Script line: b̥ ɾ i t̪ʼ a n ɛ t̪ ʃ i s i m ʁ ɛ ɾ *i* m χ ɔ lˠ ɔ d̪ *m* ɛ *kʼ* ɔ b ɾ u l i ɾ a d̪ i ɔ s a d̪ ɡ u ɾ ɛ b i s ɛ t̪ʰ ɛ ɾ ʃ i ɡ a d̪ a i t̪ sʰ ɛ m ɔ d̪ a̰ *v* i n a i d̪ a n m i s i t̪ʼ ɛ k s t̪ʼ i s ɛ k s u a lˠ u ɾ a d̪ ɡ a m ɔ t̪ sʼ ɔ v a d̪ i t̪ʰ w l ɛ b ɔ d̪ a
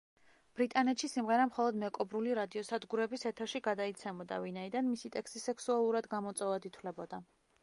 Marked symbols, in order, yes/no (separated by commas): no, yes, yes, yes